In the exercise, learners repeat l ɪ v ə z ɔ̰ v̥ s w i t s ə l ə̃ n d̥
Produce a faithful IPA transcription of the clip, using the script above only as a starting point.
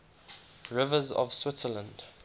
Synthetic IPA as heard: ɹ ɪ v ə z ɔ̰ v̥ s w ɪ t s ə l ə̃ n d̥